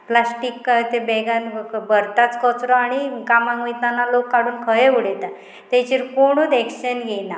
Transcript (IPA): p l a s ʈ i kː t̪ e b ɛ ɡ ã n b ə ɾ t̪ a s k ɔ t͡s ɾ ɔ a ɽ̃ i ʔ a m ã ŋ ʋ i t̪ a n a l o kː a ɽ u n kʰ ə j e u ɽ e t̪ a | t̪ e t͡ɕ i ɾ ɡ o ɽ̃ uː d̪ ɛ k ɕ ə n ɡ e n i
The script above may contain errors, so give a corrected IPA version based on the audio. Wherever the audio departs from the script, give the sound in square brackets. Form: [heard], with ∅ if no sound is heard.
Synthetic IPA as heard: p l a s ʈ i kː t̪ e b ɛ ɡ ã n b ə ɾ t̪ a [t͡s] k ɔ t͡s ɾ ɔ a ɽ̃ i [k] a m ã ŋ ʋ i t̪ a n a l o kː a ɽ [uː] n kʰ ə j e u ɽ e t̪ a | t̪ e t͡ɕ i ɾ [k] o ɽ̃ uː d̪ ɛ k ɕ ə n ɡ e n [a]